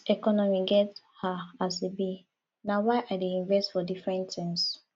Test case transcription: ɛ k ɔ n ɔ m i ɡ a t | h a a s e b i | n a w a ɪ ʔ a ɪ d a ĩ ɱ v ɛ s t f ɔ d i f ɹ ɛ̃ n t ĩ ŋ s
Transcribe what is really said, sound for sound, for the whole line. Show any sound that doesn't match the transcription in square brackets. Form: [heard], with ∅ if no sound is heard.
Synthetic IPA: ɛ k ɔ n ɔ m i ɡ [ɛ] t | h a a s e b i | n a w a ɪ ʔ a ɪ d [e] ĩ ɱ v ɛ s t f ɔ d i f ɹ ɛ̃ n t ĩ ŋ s